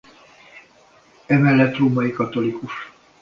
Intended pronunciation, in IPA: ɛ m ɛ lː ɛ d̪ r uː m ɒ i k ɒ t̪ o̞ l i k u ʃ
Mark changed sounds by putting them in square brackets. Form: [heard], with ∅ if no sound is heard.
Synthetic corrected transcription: ɛ m ɛ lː ɛ [t̪] r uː m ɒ i k ɒ t̪ o̞ l i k u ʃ